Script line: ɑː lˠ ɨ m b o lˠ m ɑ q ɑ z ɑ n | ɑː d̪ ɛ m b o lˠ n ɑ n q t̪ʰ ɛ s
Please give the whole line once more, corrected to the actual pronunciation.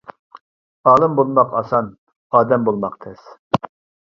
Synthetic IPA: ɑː lˠ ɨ m b o lˠ m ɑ q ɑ s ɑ n | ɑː d̪ ɛ m b o lˠ m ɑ q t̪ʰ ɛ s

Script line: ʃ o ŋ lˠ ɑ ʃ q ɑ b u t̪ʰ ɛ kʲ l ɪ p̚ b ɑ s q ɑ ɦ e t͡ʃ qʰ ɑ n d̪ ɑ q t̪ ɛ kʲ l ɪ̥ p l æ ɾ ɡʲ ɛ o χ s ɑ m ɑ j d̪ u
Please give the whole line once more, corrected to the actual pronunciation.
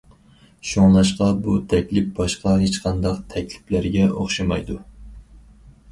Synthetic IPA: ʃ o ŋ lˠ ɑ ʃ q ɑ b u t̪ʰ ɛ kʲ l ɪ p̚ b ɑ ʃ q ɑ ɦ e t͡ʃ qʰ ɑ n d̪ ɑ q t̪ʰ ɛ kʲ l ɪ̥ p l æ ɾ ɡʲ ɛ o χ ʃ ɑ m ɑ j d̪ u

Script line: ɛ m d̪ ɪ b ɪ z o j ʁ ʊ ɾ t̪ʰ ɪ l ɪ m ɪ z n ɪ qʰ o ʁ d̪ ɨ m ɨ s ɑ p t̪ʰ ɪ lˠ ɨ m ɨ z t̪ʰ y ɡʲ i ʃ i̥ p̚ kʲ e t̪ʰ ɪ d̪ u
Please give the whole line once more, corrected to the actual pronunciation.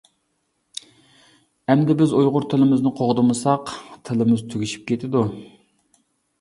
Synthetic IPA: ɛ m d̪ ɪ b ɪ z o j ʁ ʊ ɾ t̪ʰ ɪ l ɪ m ɪ z n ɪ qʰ o ʁ d̪ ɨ m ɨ s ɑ q t̪ʰ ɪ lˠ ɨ m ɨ z t̪ʰ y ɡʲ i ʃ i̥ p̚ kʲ e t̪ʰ ɪ d̪ u

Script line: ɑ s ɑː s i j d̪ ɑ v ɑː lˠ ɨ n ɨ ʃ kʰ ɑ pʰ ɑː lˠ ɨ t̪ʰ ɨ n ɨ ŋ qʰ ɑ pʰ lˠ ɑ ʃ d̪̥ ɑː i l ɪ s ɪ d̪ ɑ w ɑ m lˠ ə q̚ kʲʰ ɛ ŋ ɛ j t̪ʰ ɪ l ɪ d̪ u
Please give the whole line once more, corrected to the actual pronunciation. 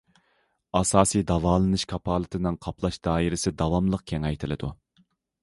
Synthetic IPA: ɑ s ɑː s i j d̪ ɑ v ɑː lˠ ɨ n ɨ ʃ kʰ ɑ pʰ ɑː lˠ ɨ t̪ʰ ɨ n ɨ ŋ qʰ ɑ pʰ lˠ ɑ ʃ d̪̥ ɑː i ɾ ɪ s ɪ d̪ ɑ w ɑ m lˠ ə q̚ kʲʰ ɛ ŋ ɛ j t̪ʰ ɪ l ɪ d̪ u

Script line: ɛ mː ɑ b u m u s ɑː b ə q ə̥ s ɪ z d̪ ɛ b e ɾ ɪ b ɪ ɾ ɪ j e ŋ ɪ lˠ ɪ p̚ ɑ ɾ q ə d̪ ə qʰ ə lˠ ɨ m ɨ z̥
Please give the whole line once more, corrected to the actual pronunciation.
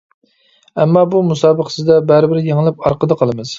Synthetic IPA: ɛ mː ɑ b u m u s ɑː b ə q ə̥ s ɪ z d̪ ɛ b æ ɾ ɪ b ɪ ɾ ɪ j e ŋ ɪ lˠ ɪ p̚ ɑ ɾ q ə d̪ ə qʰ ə lˠ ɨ m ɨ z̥

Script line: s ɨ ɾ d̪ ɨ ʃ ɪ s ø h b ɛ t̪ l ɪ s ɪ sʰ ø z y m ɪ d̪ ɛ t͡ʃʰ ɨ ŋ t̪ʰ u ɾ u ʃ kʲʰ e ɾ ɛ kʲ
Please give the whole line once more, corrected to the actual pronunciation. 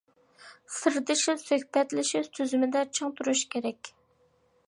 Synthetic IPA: s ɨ ɾ d̪ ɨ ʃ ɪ s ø h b ɛ t̪ l ɪ ʃ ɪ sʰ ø z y m ɪ d̪ ɛ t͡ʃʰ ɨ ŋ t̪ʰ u ɾ u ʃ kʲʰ e ɾ ɛ kʲ

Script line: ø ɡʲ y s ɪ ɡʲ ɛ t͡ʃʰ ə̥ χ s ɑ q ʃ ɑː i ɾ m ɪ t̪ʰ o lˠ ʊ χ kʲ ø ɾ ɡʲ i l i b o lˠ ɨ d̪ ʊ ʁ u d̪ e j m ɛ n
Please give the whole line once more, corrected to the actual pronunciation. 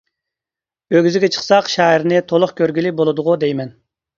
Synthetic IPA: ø ɡʲ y z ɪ ɡʲ ɛ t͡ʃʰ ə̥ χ s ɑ q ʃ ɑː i ɾ n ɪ t̪ʰ o lˠ ʊ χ kʲ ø ɾ ɡʲ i l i b o lˠ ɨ d̪ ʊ ʁ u d̪ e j m ɛ n

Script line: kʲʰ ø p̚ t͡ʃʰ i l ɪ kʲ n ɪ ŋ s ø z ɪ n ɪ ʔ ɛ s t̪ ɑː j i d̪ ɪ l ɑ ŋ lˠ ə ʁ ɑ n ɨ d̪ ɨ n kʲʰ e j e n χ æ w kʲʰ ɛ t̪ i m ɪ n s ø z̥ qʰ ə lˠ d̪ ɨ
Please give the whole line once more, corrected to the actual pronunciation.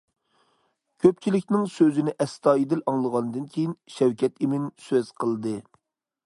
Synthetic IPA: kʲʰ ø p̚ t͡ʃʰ i l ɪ kʲ n ɪ ŋ s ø z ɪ n ɪ ʔ ɛ s t̪ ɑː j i d̪ ɪ l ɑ ŋ lˠ ə ʁ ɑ n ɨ d̪ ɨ n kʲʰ e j i n ʃ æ w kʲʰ ɛ t̪ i m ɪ n s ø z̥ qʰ ə lˠ d̪ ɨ

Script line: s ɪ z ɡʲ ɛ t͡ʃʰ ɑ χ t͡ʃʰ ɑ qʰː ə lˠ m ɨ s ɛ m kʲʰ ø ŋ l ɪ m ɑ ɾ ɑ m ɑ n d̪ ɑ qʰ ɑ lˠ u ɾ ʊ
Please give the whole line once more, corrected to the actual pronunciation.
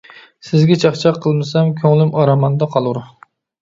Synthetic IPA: s ɪ z ɡʲ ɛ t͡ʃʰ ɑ χ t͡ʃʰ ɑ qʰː ə lˠ m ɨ s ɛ m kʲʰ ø ŋ l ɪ m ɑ ɾ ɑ m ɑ n d̪ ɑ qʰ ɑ lˠ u ɾ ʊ

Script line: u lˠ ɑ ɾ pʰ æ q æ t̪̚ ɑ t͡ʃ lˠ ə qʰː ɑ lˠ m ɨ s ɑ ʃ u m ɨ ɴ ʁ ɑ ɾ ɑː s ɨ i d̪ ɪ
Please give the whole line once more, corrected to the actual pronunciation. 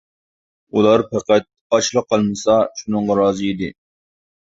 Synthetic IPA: u lˠ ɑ ɾ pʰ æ q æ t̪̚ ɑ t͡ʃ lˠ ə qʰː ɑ lˠ m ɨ s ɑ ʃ u n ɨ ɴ ʁ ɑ ɾ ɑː z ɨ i d̪ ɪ

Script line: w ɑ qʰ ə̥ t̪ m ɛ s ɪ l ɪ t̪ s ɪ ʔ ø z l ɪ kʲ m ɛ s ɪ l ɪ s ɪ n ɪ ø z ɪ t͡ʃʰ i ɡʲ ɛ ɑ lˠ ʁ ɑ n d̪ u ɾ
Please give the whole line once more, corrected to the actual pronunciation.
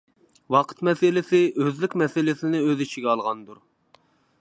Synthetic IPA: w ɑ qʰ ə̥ t̪ m ɛ s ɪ l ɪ s ɪ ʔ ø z l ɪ kʲ m ɛ s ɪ l ɪ s ɪ n ɪ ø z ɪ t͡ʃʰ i ɡʲ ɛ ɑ lˠ ʁ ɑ n d̪ u ɾ

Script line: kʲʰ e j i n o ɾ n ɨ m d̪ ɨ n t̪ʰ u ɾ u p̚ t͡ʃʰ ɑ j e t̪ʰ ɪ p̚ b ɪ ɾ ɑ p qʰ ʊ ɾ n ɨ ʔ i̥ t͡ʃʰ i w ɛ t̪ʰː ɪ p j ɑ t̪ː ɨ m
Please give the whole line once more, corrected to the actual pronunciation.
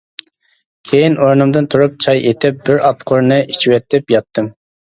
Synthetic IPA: kʲʰ e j i n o ɾ n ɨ m d̪ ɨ n t̪ʰ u ɾ u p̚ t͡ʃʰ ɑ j e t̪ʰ ɪ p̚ b ɪ ɾ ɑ p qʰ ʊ ɾ n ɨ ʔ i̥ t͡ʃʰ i w ɛ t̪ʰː ɪ p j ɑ t̪ː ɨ m

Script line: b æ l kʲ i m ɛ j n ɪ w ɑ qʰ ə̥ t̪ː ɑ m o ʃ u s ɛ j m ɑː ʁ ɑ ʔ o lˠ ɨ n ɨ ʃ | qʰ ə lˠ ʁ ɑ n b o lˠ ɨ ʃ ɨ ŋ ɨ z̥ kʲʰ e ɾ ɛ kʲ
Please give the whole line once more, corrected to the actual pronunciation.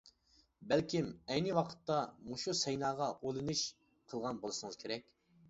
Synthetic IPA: b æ l kʲ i m ɛ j n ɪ w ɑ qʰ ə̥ t̪ː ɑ m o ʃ u s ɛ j n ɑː ʁ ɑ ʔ o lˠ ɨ n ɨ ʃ | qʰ ə lˠ ʁ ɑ n b o lˠ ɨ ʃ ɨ ŋ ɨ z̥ kʲʰ e ɾ ɛ kʲ

